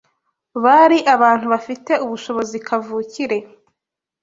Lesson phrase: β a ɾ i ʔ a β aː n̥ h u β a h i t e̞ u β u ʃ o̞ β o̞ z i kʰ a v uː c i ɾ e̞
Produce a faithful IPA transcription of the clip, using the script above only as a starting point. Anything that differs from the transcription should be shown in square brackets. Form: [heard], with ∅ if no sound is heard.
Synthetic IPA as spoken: β a ɾ i ʔ a β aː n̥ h u β a [f] i t e̞ u β u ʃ o̞ β o̞ z i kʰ a v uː c i ɾ e̞